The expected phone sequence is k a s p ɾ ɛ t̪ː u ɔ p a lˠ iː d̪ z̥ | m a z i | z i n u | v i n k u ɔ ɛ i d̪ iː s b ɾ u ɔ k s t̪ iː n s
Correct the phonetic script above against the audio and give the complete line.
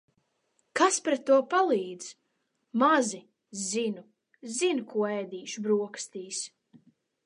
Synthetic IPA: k a s p ɾ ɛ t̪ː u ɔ p a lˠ iː d̪ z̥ | m a z i | z i n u | z i n k u ɔ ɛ j d̪ iː ʃ b ɾ u ɔ k s t̪ iː s